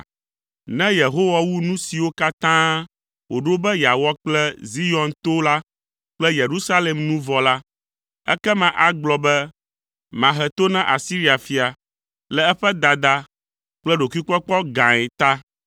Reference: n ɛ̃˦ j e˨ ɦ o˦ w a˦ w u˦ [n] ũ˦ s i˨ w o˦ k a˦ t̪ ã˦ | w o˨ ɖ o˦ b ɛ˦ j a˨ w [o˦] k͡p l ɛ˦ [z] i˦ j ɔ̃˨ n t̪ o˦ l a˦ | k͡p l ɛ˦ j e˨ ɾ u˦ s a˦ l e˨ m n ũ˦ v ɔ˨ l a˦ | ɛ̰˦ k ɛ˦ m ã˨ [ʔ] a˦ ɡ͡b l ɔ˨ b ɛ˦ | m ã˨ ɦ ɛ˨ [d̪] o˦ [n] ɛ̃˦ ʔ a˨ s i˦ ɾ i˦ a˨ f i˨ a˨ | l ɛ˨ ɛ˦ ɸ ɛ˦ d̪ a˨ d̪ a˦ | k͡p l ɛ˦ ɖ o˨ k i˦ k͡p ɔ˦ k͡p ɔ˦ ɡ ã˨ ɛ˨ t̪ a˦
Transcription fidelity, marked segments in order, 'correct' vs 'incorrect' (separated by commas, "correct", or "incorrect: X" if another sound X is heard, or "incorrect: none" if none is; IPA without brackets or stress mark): correct, incorrect: ɔ˦, correct, correct, incorrect: t̪, correct